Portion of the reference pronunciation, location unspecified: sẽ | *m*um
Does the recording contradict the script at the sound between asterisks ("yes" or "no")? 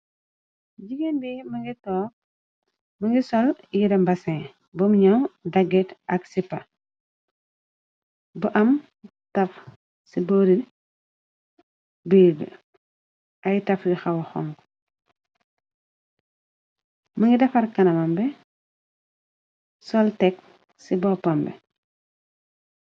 yes